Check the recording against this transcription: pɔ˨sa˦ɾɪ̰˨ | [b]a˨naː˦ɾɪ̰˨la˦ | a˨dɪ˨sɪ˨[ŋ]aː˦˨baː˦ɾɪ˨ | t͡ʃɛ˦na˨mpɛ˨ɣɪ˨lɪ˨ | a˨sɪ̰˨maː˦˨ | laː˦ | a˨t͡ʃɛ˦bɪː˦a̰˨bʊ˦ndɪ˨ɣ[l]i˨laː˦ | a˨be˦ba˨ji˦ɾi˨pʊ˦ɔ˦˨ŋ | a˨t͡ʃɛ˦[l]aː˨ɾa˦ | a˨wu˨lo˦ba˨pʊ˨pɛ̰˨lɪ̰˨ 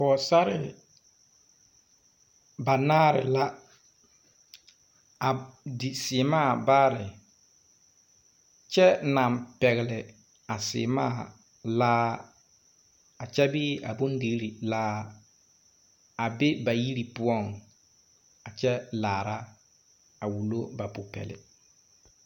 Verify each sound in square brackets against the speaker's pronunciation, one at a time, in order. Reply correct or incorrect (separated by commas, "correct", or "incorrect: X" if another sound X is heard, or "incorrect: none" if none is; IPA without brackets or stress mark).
correct, incorrect: m, incorrect: ɾ, correct